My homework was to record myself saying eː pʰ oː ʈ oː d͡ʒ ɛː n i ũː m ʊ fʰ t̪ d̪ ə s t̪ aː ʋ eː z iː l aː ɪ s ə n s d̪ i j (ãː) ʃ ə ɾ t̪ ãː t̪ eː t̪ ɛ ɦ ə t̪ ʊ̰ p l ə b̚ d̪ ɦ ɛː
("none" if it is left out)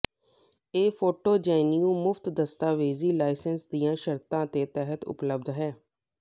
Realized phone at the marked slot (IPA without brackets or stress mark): ãː